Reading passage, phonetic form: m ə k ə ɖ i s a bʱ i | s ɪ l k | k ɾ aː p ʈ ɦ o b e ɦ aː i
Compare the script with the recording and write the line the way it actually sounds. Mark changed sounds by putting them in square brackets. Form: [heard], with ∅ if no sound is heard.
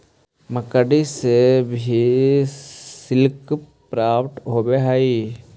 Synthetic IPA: m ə k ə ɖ i s [e] bʱ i | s ɪ l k | [p] ɾ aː p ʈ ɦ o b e ɦ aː i